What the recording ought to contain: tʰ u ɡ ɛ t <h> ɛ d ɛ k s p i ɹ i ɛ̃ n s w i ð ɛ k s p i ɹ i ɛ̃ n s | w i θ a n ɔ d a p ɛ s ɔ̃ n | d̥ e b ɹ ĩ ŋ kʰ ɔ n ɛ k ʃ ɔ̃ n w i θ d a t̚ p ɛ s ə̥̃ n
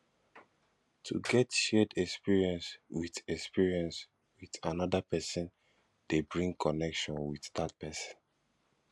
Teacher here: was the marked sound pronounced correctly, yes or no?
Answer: no